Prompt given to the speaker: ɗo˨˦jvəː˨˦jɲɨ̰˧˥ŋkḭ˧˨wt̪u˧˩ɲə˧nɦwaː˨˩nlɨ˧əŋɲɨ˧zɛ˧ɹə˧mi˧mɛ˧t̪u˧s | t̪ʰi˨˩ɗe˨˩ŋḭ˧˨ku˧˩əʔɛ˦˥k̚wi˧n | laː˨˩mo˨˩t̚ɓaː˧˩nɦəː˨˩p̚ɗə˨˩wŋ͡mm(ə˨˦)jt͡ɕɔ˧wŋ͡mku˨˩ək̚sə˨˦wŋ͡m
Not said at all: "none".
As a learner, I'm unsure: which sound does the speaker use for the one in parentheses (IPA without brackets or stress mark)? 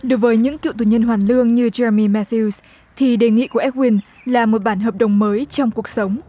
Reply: əː˨˦